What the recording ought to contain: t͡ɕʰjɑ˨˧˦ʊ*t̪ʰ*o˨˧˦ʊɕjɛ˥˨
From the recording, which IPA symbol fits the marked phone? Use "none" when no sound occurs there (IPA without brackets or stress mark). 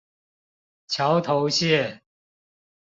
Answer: t̪ʰ